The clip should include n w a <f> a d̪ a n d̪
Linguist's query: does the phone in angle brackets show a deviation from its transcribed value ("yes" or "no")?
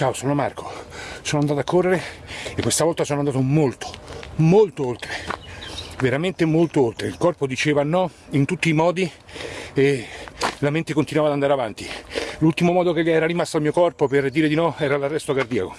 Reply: yes